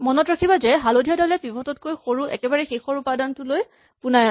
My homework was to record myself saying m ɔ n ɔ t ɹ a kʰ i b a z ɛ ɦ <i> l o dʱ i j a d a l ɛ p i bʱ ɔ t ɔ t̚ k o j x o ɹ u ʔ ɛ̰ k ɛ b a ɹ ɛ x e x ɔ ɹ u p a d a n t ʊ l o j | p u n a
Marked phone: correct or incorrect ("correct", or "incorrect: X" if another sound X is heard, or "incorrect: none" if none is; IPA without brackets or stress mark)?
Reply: incorrect: a